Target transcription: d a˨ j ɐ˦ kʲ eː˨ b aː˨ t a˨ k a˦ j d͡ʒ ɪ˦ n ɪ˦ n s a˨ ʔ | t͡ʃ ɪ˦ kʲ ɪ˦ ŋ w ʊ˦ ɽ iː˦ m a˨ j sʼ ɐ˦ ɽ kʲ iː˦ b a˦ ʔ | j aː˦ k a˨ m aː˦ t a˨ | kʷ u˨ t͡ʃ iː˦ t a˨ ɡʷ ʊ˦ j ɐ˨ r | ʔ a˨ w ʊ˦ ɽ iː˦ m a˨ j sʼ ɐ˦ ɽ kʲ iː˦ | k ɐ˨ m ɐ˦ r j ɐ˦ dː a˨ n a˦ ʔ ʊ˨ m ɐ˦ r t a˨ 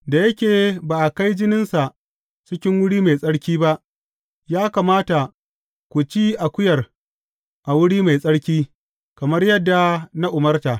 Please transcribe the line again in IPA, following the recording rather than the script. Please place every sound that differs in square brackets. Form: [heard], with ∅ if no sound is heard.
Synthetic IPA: d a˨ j ɐ˦ kʲ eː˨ b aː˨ [ʔ] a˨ k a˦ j d͡ʒ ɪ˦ n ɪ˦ n s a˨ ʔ | t͡ʃ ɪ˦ kʲ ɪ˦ ŋ w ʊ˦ ɽ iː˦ m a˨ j sʼ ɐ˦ ɽ kʲ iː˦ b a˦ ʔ | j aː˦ k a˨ m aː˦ t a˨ | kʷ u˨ t͡ʃ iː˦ [ʔ] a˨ [kʷ] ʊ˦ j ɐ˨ r | ʔ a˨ w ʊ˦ ɽ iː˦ m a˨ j sʼ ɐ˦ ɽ kʲ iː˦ | k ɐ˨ m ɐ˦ r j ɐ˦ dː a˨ n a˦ ʔ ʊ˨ m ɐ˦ r t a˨